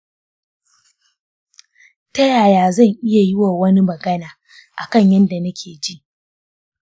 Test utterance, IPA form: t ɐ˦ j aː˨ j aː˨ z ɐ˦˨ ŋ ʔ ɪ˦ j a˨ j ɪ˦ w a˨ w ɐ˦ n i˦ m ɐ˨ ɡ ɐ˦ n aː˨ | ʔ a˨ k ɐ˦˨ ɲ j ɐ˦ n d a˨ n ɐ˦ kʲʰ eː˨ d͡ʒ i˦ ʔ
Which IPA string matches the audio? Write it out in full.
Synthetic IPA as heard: t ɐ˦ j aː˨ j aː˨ z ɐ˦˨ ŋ ʔ ɪ˦ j a˨ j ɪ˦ w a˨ w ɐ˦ n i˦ m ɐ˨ ɡ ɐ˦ n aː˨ | ʔ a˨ k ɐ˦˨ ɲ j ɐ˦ n d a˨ n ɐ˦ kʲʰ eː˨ d͡ʒ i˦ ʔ